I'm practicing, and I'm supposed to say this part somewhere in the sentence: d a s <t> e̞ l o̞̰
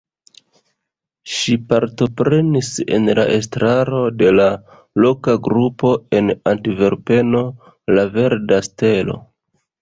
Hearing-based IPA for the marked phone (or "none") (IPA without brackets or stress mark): t